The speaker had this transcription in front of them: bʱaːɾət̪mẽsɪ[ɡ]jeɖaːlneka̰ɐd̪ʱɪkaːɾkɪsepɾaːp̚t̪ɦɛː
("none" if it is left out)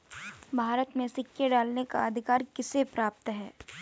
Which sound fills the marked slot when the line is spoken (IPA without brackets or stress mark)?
k